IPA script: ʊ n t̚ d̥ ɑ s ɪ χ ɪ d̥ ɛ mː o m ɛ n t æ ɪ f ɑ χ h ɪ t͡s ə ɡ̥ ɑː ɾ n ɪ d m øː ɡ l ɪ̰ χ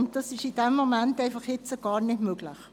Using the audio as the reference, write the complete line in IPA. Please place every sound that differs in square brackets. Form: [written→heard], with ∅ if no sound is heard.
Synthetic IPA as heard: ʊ n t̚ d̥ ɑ s ɪ [χ→ʃ] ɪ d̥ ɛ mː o m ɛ n t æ ɪ f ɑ χ h ɪ t͡s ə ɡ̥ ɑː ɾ n ɪ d m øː ɡ l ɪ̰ χ

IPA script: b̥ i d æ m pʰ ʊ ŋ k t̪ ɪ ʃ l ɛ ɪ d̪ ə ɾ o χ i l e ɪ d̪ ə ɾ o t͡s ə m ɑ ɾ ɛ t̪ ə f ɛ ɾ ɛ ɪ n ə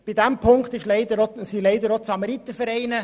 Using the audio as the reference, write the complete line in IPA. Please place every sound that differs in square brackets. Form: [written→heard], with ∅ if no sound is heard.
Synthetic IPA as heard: b̥ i d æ m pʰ ʊ ŋ k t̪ ɪ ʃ l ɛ ɪ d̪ ə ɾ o [χ→s] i l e ɪ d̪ ə ɾ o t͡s [ə→ɑ] m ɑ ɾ [ɛ→i] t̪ ə f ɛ ɾ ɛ ɪ n ə

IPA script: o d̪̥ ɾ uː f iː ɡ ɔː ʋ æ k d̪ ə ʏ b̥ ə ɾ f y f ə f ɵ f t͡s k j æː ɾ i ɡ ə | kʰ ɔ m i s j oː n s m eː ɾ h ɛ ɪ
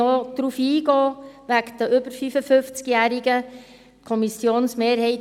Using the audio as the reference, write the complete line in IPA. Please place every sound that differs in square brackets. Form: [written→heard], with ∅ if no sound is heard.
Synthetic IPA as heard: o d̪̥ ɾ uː f iː ɡ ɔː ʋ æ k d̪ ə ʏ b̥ ə ɾ f y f ə f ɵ f t͡s k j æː ɾ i ɡ ə | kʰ ɔ m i s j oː n s m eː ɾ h ɛ ɪ

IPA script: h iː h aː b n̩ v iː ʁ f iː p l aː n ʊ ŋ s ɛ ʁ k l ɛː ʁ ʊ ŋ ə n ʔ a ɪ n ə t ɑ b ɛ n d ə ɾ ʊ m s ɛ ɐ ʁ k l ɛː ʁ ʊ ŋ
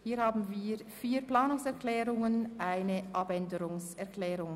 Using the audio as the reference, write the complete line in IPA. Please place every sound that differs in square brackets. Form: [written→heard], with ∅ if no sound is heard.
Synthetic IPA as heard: h iː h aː b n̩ v iː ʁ f iː p l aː n ʊ ŋ s ɛ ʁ k l ɛː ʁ ʊ ŋ ə n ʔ a ɪ n ə [t→ʔ] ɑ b ɛ n d ə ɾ ʊ [m→ŋ] s ɛ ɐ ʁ k l ɛː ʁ ʊ ŋ

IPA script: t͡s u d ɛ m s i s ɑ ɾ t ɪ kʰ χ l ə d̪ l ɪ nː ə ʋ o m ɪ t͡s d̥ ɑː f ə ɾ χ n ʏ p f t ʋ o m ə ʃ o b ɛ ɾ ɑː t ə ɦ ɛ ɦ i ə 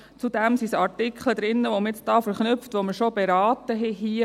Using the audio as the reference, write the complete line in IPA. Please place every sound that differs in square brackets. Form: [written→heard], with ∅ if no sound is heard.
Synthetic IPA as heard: t͡s u d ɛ m s i s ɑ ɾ t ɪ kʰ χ l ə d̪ [l→ɾ] ɪ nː ə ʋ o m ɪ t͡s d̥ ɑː f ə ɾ χ n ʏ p f t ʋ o m ə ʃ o b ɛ ɾ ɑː t ə ɦ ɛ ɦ i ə

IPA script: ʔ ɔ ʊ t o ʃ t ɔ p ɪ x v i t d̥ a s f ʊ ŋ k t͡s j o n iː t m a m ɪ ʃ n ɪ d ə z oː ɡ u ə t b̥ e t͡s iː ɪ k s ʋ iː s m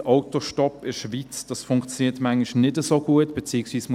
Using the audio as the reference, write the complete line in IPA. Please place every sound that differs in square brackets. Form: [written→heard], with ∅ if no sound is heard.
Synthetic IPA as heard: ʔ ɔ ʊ t o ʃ t ɔ p ɪ [x→ʃ] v i [t→t͡s] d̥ [a→ɑ] s f ʊ ŋ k t͡s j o n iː t m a [m→ŋ] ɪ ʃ n ɪ d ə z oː ɡ u ə t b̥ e t͡s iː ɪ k s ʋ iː s m

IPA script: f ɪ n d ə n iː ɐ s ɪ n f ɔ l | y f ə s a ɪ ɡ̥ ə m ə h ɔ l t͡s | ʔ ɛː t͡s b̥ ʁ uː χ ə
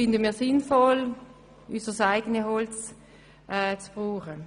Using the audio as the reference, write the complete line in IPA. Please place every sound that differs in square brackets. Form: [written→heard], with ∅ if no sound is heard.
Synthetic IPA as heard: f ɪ n d ə [n→m] iː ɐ s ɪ n f ɔ l | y [f→s] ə s a ɪ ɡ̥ ə [m→n] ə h ɔ l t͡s | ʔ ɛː t͡s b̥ ʁ uː χ ə

